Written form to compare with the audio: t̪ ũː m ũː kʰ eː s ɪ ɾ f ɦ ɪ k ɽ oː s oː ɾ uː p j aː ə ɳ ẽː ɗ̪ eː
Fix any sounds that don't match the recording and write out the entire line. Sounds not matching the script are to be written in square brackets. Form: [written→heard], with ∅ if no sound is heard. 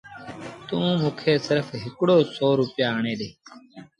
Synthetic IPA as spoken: t̪ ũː m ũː kʰ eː s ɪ ɾ f ɦ ɪ k ɽ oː s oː ɾ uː p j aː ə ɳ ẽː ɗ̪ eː